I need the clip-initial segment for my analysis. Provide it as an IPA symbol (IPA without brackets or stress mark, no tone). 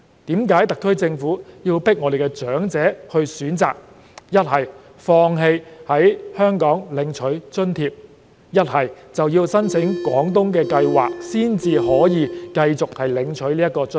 t̪